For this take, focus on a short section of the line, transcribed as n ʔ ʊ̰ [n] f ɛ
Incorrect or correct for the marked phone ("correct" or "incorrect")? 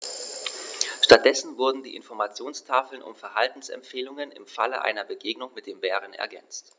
incorrect